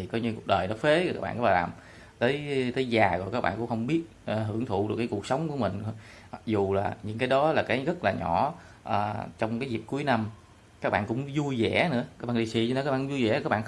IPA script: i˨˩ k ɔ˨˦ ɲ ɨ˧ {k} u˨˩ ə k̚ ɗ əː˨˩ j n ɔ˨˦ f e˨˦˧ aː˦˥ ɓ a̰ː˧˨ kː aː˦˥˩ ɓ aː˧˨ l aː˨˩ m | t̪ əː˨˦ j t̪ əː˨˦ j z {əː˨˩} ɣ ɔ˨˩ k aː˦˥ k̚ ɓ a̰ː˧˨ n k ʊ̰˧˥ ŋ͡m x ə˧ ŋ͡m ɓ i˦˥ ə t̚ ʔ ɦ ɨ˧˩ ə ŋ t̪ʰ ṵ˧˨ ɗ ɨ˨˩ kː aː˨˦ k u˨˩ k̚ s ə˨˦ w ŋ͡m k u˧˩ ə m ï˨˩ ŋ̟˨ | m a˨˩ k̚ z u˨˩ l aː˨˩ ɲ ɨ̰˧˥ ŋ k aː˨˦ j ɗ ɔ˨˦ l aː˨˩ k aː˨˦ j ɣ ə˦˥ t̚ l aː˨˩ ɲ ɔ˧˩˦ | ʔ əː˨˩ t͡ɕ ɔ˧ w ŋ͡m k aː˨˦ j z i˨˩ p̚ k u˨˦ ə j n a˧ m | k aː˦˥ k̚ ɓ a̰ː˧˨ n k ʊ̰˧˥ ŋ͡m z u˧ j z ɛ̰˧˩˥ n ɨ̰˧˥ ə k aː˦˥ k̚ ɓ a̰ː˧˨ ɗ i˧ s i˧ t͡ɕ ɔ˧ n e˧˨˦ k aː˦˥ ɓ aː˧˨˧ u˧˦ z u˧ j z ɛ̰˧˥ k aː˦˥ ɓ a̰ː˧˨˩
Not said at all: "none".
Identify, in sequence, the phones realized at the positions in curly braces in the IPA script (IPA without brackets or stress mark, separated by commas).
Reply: k, aː˨˩